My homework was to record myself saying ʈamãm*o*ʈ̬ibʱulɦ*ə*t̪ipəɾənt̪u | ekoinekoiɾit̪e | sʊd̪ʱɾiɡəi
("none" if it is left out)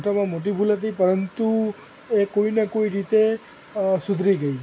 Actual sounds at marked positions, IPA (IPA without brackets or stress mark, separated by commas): o, ə